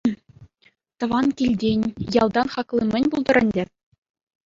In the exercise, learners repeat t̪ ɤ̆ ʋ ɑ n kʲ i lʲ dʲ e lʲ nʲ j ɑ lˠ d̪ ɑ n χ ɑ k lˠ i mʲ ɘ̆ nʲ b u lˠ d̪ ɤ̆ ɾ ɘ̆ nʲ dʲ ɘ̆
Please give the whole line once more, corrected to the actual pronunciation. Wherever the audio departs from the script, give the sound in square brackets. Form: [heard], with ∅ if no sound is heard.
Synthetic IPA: t̪ ɤ̆ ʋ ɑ n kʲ i lʲ dʲ e [∅] nʲ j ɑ lˠ d̪ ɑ n χ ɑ k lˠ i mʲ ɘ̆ nʲ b u lˠ d̪ ɤ̆ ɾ ɘ̆ nʲ dʲ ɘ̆